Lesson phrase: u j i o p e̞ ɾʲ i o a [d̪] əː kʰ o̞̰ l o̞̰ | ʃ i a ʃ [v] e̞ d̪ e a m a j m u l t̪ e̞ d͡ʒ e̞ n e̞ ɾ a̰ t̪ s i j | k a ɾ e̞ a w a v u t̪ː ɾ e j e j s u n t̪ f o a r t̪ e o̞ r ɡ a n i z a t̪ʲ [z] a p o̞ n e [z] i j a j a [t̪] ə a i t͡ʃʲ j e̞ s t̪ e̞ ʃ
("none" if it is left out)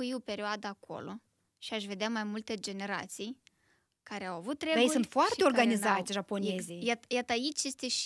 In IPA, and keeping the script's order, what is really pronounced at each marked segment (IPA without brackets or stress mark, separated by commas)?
d̪, v, ʒ, z, t̪